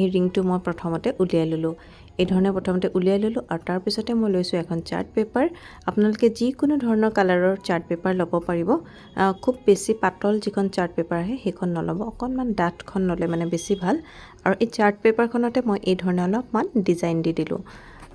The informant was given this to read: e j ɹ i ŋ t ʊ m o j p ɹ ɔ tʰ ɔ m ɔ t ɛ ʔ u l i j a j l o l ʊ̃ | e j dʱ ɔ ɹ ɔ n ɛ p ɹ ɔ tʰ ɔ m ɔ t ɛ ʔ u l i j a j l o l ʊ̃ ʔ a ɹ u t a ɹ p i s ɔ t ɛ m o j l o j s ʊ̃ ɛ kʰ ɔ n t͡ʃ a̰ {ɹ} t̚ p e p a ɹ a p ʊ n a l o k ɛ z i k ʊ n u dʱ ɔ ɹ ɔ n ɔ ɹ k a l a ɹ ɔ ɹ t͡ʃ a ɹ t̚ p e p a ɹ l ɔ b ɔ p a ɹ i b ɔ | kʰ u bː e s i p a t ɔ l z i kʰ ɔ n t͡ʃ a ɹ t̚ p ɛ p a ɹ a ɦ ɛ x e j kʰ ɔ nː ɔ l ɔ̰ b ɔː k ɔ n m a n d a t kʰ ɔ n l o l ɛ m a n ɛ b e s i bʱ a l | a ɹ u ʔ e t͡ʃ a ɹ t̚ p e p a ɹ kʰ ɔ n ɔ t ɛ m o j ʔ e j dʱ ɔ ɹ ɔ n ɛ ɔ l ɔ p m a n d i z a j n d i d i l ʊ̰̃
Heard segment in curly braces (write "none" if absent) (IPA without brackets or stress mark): ɹ